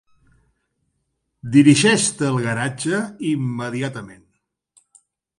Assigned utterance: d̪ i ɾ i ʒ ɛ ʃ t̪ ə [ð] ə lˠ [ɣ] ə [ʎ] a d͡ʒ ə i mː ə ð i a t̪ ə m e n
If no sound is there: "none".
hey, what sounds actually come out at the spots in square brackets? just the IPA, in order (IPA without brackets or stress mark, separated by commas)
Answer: none, ɣ, ɾ